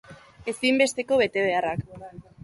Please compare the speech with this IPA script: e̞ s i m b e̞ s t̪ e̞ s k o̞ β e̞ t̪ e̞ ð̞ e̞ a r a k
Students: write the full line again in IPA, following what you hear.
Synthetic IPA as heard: e̞ s i m b e̞ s t̪ e̞ k o̞ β e̞ t̪ e̞ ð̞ e̞ a r a k